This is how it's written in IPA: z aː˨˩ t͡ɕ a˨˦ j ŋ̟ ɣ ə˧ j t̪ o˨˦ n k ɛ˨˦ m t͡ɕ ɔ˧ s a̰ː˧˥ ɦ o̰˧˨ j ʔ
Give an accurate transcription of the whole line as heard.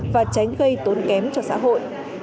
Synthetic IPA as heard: v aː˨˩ t͡ɕ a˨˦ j ŋ̟ ɣ ə˧ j t̪ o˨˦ n k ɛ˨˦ m t͡ɕ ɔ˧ s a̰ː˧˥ ɦ o̰˧˨ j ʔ